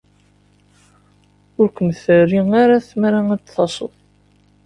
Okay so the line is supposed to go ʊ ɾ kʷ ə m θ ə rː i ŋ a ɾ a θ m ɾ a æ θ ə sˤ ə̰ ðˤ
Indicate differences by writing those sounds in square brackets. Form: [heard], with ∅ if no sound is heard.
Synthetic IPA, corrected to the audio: ʊ ɾ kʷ ə m θ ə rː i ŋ a ɾ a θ m ɾ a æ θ [ɑ] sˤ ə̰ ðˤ